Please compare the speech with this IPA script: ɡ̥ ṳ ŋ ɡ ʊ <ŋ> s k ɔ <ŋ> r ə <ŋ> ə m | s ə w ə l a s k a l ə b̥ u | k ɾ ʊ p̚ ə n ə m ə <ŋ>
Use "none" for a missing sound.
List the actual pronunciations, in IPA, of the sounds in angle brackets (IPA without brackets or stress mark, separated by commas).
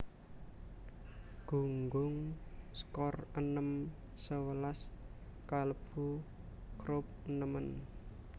ŋ, none, n, n